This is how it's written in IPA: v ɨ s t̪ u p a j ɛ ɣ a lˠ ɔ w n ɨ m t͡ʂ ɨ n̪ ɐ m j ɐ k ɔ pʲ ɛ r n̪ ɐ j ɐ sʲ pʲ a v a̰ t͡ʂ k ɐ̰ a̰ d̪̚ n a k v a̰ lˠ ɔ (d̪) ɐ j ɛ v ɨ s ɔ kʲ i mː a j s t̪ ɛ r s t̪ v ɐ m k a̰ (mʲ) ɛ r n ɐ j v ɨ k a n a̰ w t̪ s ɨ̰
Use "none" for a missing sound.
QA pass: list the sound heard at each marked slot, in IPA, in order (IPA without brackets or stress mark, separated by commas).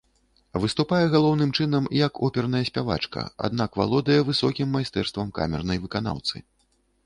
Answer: d̪, mʲ